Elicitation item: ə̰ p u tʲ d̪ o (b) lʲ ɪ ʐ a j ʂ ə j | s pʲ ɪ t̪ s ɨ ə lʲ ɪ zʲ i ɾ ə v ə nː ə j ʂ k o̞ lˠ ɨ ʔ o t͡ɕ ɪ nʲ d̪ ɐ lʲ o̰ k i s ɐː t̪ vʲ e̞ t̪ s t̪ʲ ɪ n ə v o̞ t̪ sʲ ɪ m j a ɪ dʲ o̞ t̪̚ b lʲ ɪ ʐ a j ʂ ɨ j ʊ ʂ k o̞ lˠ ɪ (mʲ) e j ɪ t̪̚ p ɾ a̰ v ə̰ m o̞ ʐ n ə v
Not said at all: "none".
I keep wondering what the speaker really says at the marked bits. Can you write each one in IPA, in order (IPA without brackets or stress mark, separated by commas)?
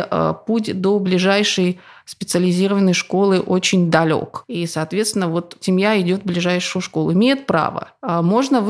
b, mʲ